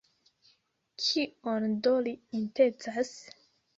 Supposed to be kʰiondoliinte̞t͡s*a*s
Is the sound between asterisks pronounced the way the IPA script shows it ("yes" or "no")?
yes